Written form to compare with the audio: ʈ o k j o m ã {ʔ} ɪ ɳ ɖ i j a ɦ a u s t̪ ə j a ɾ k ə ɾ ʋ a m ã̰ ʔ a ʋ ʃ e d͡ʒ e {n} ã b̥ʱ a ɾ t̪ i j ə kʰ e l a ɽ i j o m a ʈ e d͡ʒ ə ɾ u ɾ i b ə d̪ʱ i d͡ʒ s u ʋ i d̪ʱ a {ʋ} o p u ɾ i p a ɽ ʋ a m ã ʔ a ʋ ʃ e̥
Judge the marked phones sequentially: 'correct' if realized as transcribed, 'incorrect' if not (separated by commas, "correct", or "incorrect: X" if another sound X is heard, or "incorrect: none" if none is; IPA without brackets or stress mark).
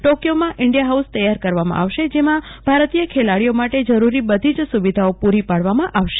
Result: correct, incorrect: m, incorrect: none